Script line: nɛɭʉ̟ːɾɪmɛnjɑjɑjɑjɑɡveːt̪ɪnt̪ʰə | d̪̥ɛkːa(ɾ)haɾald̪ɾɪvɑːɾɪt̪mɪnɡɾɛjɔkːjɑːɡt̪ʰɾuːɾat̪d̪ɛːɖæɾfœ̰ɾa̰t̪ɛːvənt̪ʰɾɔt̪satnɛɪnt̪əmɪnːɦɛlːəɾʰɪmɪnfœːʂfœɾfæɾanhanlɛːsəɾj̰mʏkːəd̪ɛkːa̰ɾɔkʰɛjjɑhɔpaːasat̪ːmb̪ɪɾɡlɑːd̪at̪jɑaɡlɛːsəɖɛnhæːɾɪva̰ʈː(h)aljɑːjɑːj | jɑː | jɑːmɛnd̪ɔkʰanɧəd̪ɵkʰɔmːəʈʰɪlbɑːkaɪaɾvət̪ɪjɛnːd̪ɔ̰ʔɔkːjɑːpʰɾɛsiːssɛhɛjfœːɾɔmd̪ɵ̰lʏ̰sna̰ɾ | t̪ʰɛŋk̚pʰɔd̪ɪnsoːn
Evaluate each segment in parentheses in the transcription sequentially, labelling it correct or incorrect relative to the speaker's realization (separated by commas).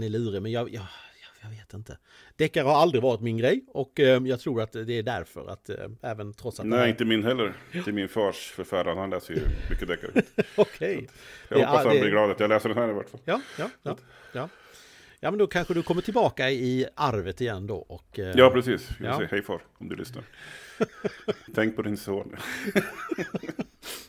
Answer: correct, incorrect